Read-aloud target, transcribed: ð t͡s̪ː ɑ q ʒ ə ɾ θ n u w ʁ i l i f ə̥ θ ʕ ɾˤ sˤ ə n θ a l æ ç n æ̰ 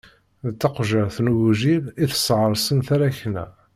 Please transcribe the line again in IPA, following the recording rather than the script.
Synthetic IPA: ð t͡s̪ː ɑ q ʒ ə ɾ θ n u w ʒ i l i θ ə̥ s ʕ ɾˤ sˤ ə n θ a ɾ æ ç n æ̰